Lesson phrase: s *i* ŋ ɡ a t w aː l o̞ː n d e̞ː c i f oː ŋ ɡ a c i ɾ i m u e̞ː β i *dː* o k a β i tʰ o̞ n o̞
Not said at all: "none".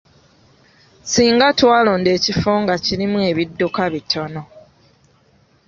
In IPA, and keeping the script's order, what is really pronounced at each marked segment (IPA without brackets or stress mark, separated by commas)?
iː, dː